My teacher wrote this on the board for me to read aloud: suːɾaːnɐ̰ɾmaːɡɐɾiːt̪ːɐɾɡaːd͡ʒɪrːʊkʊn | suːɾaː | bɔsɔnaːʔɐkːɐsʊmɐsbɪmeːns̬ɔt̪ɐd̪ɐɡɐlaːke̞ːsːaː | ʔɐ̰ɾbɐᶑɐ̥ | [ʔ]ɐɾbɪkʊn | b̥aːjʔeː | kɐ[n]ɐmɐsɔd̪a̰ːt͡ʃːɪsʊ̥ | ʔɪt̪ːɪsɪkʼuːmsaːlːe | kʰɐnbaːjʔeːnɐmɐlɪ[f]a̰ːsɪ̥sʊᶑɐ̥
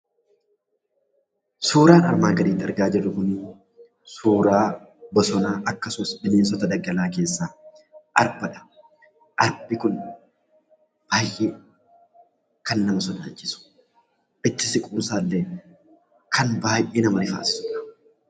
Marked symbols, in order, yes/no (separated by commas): yes, no, yes